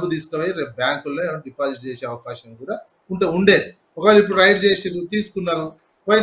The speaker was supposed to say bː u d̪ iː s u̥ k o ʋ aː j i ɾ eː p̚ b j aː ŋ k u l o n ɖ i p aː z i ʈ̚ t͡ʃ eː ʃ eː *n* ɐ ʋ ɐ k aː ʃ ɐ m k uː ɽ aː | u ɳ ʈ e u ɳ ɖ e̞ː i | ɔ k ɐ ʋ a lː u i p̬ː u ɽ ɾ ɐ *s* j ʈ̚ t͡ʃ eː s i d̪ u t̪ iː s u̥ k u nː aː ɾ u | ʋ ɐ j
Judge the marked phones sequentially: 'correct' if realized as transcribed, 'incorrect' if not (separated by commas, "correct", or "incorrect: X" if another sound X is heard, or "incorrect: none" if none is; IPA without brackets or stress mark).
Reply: incorrect: none, incorrect: none